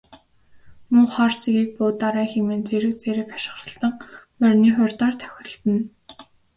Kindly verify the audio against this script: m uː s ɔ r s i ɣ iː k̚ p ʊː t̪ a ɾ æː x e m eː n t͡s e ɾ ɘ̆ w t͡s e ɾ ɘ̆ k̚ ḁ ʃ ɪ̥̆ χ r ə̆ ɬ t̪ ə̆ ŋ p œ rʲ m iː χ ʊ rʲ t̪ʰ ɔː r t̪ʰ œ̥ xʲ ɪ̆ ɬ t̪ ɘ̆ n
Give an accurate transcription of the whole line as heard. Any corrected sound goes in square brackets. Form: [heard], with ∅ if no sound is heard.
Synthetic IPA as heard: m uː [χ] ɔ r s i ɣ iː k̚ p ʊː t̪ a ɾ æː x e m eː n t͡s e ɾ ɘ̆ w t͡s e ɾ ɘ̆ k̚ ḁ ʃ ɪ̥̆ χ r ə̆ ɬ t̪ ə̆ ŋ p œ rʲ [n] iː χ ʊ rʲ [t̪] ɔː r t̪ʰ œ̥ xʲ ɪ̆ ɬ t̪ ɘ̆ n